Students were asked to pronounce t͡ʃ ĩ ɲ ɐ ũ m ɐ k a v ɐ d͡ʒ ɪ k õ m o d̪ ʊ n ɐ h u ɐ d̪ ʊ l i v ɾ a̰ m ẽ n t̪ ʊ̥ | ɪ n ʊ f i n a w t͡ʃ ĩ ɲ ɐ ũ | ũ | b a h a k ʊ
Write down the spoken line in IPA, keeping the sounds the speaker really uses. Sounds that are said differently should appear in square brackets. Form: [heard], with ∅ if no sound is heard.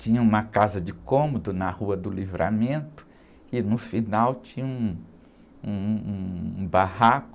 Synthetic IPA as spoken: t͡ʃ ĩ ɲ ɐ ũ m ɐ k a [z] ɐ d͡ʒ ɪ k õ m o d̪ ʊ n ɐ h u ɐ d̪ ʊ l i v ɾ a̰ m ẽ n t̪ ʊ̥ | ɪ n ʊ f i n a w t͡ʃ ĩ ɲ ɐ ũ | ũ | b a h a k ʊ